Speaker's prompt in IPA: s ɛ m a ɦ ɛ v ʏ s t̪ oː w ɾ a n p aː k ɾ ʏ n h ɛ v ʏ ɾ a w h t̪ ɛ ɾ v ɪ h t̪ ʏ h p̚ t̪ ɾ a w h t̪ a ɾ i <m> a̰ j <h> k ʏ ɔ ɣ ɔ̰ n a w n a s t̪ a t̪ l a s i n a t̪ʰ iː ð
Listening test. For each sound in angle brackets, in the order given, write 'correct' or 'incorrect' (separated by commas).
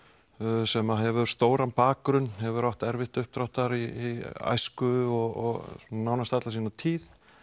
incorrect, incorrect